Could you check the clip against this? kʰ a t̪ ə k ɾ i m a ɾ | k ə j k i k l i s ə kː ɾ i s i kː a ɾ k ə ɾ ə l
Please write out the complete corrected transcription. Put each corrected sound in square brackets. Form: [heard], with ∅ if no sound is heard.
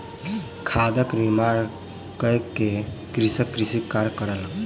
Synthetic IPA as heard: kʰ a [d̪] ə k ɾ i m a ɾ | k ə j k [e] k [ɾ] i s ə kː ɾ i s i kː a ɾ k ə ɾ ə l